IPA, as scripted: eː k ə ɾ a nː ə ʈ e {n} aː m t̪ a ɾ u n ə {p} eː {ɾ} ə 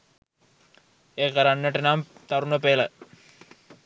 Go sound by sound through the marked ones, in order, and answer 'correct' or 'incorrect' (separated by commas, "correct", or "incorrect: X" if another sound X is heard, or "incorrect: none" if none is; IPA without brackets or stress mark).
correct, correct, incorrect: l